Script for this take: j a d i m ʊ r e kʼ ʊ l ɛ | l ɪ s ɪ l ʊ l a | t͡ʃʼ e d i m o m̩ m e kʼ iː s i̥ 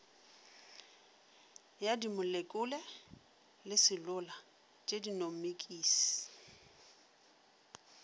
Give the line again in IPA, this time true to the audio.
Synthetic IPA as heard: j a d i m ʊ l e kʼ ʊ l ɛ | l ɪ s ɪ l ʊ l a | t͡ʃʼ e d i n o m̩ m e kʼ iː s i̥